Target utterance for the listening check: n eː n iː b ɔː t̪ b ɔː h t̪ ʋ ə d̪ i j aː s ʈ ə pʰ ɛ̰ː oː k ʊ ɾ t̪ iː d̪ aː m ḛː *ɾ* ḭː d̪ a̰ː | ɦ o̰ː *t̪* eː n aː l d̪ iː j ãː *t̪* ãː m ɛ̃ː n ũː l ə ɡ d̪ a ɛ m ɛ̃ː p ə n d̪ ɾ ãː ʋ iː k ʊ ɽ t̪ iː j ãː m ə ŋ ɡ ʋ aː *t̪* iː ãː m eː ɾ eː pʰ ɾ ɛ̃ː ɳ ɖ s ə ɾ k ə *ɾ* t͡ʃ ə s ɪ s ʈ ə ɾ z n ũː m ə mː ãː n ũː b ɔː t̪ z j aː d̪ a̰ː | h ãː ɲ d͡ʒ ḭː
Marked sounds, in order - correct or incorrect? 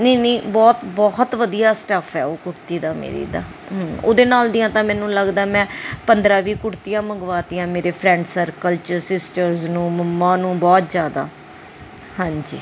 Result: correct, incorrect: d̪, correct, correct, incorrect: l

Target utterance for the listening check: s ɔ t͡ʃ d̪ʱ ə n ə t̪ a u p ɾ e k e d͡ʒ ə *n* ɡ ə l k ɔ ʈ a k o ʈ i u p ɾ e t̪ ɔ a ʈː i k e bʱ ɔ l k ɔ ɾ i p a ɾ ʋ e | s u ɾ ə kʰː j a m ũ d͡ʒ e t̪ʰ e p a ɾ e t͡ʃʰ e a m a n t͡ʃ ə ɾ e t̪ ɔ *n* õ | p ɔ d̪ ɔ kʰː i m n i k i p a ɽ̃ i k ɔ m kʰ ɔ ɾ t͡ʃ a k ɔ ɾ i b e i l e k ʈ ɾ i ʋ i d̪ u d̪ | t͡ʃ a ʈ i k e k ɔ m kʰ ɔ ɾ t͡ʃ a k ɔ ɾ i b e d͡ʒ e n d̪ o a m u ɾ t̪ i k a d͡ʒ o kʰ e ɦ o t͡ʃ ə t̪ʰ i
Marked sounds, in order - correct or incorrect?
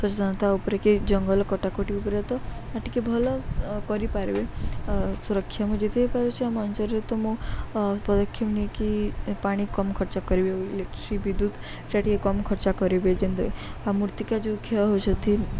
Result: incorrect: ŋ, incorrect: m

